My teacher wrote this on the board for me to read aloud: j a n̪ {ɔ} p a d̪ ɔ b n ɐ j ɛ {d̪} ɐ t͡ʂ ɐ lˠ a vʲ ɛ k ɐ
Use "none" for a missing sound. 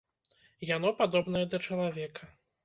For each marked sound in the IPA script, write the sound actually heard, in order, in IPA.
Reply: ɔ, d̪

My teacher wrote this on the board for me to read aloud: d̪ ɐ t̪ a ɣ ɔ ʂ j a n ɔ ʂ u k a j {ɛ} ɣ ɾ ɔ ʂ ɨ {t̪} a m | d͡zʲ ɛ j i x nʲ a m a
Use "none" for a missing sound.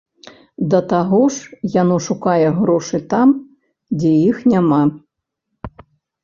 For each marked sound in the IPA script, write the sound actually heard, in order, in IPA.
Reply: ɛ, t̪

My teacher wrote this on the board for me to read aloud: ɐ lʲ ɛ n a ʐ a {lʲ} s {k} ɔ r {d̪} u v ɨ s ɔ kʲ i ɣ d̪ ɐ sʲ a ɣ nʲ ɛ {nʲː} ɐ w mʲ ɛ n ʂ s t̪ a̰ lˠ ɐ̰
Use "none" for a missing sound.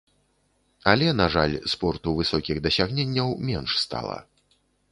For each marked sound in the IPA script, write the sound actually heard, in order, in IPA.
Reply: lʲ, p, t̪, nʲː

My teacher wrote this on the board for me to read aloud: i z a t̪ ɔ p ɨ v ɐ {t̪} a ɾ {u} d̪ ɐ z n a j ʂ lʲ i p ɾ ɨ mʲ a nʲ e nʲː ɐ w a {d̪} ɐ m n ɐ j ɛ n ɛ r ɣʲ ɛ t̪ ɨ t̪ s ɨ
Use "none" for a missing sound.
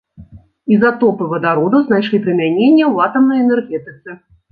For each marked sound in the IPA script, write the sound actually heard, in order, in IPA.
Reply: d̪, ɔ, t̪

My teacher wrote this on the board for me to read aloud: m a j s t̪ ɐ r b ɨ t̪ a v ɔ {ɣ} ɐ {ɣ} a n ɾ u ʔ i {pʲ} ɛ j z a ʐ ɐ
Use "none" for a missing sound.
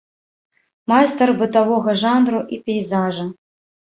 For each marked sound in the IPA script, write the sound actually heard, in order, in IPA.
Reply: ɣ, ʐ, pʲ

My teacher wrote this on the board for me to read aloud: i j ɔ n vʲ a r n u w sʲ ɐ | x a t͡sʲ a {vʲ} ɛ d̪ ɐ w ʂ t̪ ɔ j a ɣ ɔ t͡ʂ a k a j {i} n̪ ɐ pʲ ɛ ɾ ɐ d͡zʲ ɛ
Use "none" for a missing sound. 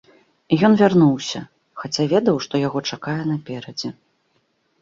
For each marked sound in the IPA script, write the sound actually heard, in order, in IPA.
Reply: vʲ, ɛ

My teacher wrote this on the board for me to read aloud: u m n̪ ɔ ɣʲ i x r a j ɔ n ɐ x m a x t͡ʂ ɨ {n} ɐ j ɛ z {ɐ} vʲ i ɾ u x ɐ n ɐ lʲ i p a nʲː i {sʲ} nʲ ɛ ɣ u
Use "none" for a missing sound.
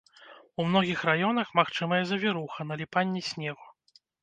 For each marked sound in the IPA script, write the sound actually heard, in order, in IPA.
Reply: m, ɐ, sʲ

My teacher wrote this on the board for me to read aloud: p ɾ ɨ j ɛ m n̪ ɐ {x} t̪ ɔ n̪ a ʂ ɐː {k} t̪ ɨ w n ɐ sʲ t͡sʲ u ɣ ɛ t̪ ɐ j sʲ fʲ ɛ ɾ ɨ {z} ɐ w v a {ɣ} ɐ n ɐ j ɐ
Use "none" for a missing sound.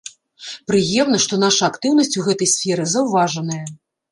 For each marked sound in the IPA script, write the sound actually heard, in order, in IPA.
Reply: ʂ, k, z, ʐ

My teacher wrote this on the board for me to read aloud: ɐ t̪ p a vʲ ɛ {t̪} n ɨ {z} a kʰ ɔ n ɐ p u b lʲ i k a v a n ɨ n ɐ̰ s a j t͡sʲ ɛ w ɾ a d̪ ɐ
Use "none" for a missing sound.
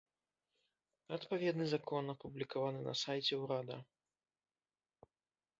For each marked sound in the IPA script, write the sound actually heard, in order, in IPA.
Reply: d̪, z

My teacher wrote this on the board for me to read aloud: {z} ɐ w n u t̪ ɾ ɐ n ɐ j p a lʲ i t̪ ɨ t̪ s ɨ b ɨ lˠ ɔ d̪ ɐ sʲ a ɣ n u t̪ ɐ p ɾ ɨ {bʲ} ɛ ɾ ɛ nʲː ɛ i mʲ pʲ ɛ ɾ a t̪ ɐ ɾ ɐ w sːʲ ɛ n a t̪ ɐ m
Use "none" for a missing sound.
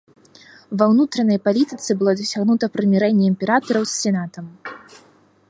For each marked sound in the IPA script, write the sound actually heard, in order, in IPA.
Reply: v, mʲ

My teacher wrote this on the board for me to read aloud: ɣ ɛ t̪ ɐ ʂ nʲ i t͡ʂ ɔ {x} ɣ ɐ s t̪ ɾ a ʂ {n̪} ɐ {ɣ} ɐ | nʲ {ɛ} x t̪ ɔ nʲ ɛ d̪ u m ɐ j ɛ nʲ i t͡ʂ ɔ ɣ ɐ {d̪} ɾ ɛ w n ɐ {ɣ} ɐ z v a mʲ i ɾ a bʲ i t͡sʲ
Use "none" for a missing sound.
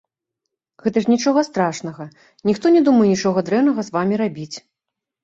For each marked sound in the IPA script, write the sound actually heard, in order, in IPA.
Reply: none, n̪, ɣ, i, d̪, ɣ

